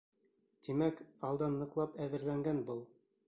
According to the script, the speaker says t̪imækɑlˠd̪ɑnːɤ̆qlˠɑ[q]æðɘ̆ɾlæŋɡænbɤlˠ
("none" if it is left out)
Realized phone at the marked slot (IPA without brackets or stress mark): p